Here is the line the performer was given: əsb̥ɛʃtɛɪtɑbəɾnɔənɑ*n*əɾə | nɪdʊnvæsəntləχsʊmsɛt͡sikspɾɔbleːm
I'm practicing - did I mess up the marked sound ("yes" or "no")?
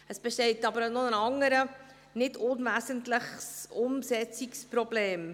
yes